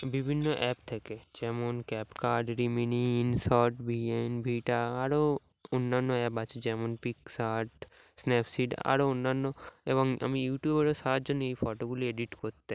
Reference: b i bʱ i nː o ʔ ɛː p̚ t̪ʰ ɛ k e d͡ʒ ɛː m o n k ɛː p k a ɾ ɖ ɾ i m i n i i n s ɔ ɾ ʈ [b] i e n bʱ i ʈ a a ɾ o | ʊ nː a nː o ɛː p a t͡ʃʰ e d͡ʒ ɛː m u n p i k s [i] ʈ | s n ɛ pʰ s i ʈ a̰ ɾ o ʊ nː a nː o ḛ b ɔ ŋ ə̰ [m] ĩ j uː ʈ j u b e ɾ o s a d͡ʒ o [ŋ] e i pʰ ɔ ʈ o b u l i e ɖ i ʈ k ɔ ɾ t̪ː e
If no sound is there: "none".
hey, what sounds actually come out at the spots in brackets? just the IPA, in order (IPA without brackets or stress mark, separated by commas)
b, a, m, n